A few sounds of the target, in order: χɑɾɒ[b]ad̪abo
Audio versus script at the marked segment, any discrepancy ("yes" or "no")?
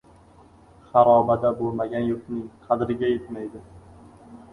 no